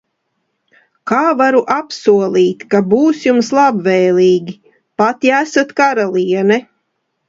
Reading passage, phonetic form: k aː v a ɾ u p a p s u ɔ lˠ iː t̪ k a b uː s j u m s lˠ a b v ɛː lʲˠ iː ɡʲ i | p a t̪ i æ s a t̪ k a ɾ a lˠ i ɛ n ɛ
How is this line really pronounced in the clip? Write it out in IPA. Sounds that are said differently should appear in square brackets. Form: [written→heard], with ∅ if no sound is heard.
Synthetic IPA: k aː v a ɾ u [p→ʔ] a p s u ɔ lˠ iː t̪ k a b uː s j u m s lˠ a b v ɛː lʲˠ iː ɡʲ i | p a t̪ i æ s a t̪ k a ɾ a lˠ i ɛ n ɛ

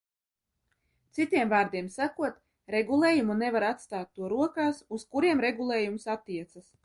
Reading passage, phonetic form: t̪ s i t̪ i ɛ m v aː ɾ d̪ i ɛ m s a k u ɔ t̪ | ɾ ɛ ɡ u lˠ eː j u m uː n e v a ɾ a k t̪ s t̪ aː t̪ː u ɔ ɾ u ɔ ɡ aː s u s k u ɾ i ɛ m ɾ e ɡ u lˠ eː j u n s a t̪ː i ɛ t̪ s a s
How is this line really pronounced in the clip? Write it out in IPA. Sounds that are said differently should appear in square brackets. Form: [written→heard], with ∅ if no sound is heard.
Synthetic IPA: t̪ s i t̪ i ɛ m v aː ɾ d̪ i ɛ m s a k u ɔ t̪ | ɾ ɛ ɡ u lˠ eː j u m [uː→u] n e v a ɾ a [k→∅] t̪ s t̪ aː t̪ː u ɔ ɾ u ɔ [ɡ→k] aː s u s k u ɾ i ɛ m ɾ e ɡ u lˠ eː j u [n→m] s a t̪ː i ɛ t̪ s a s

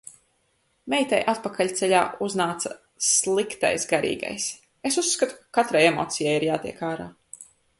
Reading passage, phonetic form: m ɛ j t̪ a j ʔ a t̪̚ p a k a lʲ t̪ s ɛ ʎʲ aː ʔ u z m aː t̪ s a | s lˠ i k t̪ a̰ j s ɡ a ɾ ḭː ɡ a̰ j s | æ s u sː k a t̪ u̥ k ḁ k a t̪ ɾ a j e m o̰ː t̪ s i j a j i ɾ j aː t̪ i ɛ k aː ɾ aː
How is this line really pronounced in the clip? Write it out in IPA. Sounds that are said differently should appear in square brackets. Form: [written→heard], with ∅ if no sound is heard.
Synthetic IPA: m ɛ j t̪ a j ʔ a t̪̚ p a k a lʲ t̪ s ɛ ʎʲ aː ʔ u z [m→n] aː t̪ s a | s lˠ i k t̪ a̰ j s ɡ a ɾ ḭː ɡ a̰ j s | [æ→e] s u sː k a t̪ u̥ k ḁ k a t̪ ɾ a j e m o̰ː t̪ s i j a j i ɾ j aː t̪ i ɛ k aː ɾ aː

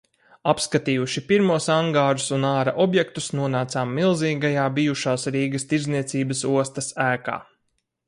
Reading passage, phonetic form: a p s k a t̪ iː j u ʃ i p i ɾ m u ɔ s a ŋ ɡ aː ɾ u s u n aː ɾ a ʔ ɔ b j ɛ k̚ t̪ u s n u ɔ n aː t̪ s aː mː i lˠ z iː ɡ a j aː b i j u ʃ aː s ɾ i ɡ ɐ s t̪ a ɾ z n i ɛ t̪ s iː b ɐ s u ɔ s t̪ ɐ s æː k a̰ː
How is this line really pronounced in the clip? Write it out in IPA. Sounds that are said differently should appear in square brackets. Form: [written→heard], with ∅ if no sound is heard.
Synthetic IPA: a p s k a t̪ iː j u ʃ i p i ɾ m u ɔ s a ŋ ɡ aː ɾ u s u n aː ɾ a ʔ ɔ b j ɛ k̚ t̪ u s n u ɔ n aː t̪ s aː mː i lˠ z iː ɡ a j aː b i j u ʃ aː s ɾ [i→iː] ɡ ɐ s t̪ [a→i] ɾ z n i ɛ t̪ s iː b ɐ s u ɔ s t̪ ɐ s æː k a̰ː

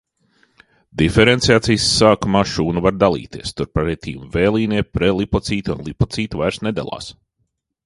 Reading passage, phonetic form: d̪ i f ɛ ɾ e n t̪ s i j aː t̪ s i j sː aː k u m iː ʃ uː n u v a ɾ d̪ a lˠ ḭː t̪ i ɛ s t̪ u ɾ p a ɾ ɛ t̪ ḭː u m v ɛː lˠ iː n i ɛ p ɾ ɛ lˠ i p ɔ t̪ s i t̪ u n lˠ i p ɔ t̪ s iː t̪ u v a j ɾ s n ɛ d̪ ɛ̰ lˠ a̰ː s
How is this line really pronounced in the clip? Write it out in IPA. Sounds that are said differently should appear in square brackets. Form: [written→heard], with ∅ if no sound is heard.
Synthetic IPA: d̪ i f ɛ ɾ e n t̪ s i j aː t̪ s i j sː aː k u m [iː→aː] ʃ uː n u v a ɾ d̪ a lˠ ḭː t̪ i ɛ s t̪ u ɾ p a ɾ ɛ t̪ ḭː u m v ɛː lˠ iː n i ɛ p ɾ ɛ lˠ i p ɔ t̪ s [i→iː] t̪ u n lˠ i p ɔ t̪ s iː t̪ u v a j ɾ s n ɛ d̪ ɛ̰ lˠ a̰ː s

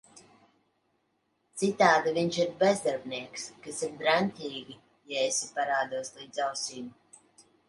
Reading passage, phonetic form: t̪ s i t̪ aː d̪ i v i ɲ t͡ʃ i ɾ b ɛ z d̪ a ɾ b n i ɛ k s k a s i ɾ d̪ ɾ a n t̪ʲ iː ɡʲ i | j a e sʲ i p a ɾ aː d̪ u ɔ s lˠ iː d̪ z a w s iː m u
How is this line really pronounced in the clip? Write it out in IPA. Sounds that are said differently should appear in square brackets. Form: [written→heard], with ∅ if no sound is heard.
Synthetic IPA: t̪ s i t̪ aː d̪ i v i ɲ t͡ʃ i ɾ b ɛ z d̪ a ɾ b n i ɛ k s k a s i ɾ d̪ ɾ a n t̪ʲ iː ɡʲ i | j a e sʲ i p a ɾ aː d̪ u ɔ s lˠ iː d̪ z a w s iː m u

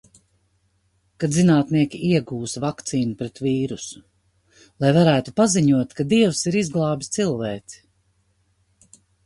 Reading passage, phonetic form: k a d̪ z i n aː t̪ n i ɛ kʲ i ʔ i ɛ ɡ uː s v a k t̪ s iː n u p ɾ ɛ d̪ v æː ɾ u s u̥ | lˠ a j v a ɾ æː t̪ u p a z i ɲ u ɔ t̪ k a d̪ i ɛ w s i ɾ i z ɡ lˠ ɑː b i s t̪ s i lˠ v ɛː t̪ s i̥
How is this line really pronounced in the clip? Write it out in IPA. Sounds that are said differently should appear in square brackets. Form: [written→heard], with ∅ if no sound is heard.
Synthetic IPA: k a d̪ z i n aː t̪ n i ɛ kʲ i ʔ i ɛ ɡ uː s v a k t̪ s iː n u p ɾ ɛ [d̪→t̪] v [æː→iː] ɾ u s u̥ | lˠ a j v a ɾ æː t̪ u p a z i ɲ u ɔ t̪ k a d̪ i ɛ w s i ɾ i z ɡ lˠ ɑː b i s t̪ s i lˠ v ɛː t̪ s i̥

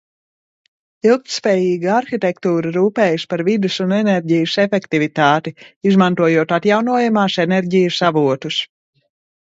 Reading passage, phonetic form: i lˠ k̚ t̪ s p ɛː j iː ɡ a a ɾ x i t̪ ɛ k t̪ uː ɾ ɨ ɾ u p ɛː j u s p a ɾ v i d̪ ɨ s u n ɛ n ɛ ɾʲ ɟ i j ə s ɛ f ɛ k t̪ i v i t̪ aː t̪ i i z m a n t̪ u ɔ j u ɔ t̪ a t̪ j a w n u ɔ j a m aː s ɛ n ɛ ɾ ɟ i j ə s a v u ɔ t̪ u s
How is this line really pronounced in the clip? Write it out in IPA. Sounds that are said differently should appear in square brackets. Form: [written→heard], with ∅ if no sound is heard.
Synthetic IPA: i lˠ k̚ t̪ s p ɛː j iː ɡ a a ɾ x i t̪ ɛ k t̪ uː ɾ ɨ ɾ [u→uː] p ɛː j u s p a ɾ v i d̪ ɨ s u n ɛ n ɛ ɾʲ ɟ i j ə s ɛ f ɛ k t̪ i v i t̪ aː t̪ i i z m a n t̪ u ɔ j u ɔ t̪ a t̪ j a w n u ɔ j a m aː s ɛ n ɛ ɾ ɟ i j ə s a v u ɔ t̪ u s

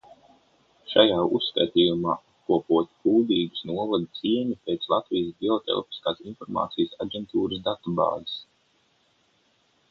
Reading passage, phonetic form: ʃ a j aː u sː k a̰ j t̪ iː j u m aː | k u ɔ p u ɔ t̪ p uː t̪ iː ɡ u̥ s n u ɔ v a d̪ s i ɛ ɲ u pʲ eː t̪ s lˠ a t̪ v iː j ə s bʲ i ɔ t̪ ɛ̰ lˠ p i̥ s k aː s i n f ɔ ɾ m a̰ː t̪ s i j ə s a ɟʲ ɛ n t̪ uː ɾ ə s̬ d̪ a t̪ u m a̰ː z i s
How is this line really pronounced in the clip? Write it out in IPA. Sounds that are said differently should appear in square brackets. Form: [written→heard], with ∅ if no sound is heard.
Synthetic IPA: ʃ a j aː u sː k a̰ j t̪ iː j u m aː | k u ɔ p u ɔ t̪ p uː [t̪→d̪] iː ɡ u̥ s n u ɔ v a d̪ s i ɛ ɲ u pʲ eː t̪ s lˠ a t̪ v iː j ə s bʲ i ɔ t̪ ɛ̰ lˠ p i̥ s k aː s i n f ɔ ɾ m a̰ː t̪ s i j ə s a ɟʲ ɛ n t̪ uː ɾ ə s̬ d̪ a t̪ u [m→b] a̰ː z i s

